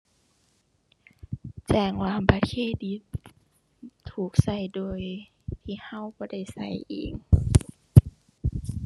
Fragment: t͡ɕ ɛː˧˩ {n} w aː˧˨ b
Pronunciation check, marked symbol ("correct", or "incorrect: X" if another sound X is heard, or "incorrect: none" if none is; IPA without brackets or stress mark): incorrect: ŋ